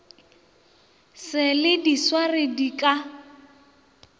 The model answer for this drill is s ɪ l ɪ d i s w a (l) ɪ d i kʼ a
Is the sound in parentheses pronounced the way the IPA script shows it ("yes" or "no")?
no